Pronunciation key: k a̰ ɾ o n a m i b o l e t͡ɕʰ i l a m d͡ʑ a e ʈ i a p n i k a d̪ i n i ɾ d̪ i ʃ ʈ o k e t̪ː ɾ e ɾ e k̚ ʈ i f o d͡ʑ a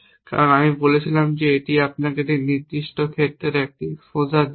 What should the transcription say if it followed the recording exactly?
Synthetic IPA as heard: k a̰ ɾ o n a m i b o l e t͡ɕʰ i l a m d͡ʑ e e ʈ i a p n a k e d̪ i n i ɾ d̪ i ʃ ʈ o kʰ e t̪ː ɾ e ɾ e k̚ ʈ i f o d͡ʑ a